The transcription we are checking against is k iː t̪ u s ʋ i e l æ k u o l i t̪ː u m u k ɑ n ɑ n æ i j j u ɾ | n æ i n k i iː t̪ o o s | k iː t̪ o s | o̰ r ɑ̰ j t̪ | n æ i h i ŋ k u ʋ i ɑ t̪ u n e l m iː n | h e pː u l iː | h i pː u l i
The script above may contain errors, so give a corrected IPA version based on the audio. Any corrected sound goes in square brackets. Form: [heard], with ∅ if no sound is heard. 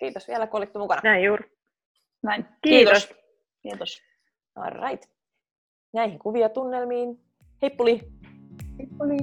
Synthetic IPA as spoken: k iː t̪ [o] s ʋ i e l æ k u o l i t̪ː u m u k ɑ n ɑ n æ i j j [uː] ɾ | n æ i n k i iː t̪ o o s | k iː t̪ o s | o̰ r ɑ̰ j t̪ | n æ i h i ŋ k u ʋ i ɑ t̪ u [nː] e l m iː n | h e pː u l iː | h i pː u l i